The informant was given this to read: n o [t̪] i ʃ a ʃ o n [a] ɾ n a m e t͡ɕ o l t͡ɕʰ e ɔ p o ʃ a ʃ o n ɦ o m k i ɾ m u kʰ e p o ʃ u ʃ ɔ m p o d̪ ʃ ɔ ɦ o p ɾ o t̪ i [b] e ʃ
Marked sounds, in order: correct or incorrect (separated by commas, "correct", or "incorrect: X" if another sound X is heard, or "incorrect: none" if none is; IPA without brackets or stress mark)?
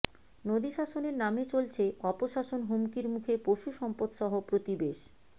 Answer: incorrect: d̪, incorrect: e, correct